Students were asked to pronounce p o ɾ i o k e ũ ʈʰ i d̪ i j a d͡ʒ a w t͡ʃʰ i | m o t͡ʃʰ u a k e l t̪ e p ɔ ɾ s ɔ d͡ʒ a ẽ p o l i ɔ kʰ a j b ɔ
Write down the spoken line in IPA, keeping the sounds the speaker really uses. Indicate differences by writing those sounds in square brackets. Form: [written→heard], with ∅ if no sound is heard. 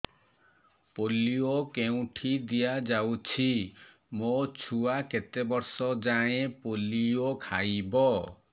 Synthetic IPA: p o [ɾ→l] i o k e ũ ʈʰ i d̪ i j a d͡ʒ a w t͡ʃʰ i | m o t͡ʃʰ u a k e [l→∅] t̪ e [p→b] ɔ ɾ s ɔ d͡ʒ a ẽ p o l i [ɔ→o] kʰ a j b ɔ